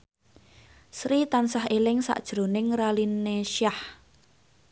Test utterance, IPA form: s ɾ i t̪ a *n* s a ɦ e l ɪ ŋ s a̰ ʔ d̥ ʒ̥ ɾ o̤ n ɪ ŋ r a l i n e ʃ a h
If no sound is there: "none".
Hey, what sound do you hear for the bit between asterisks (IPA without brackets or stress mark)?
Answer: n